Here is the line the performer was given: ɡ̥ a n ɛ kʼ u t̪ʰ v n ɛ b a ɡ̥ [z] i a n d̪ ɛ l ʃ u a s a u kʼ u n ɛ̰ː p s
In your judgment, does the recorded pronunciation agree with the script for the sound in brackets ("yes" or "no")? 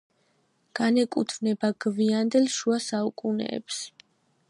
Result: no